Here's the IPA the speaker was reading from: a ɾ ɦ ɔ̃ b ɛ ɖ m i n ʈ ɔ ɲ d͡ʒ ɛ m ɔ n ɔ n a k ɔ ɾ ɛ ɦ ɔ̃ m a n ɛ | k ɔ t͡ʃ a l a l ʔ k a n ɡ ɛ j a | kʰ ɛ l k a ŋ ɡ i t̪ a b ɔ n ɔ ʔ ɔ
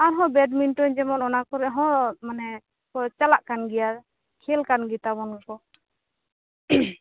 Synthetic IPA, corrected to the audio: a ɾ ɦ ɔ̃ b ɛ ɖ m i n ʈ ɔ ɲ d͡ʒ ɛ m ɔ n ɔ n a k ɔ ɾ ɛ ɦ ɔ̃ m a n ɛ | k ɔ t͡ʃ a l a ʔ k a n ɡ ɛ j a | kʰ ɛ l k a n ɡ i t̪ a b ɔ n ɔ k ɔ

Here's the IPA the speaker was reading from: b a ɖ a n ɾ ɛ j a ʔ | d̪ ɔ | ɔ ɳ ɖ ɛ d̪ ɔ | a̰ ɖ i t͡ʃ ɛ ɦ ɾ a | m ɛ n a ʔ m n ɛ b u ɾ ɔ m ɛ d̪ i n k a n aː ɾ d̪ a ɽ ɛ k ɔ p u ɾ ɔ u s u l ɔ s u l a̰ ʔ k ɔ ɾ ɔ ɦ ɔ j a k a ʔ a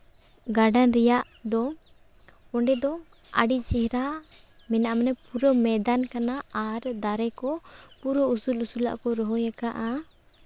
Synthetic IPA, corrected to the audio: ɡ a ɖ a n ɾ ɛ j a ʔ | d̪ ɔ | ɔ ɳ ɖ ɛ d̪ ɔ | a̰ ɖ i t͡ʃ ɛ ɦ ɾ a | m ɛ n a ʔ m n ɛ p u ɾ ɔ m ɛ d̪ a n k a n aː ɾ d̪ a ɾ ɛ k ɔ p u ɾ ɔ u s u l u s u l a̰ ʔ k ɔ ɾ ɔ ɦ ɔ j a k a ʔ a

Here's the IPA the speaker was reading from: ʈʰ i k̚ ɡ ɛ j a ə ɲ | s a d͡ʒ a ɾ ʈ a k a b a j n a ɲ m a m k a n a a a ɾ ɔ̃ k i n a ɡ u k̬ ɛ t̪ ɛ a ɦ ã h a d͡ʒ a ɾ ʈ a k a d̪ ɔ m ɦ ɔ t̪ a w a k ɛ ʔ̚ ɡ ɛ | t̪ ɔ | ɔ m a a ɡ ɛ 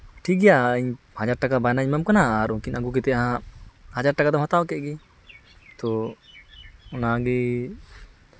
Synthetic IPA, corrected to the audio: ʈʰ i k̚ ɡ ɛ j a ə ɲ | h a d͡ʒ a ɾ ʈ a k a b a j n a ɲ m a m k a n a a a ɾ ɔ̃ k i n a ɡ u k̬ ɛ t̪ ɛ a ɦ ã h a d͡ʒ a ɾ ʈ a k a d̪ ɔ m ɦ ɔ t̪ a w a k ɛ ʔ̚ ɡ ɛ | t̪ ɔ | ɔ n a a ɡ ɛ

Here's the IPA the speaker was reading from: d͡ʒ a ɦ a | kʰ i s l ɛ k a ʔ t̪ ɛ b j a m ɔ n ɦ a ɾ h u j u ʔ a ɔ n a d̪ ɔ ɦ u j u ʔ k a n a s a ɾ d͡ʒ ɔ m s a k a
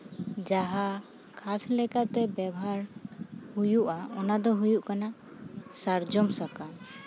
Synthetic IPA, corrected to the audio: d͡ʒ a ɦ a | kʰ a s l ɛ k a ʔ t̪ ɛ b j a b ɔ ɦ a ɾ h u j u ʔ a ɔ n a d̪ ɔ ɦ u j u ʔ k a n a s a ɾ d͡ʒ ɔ m s a k a

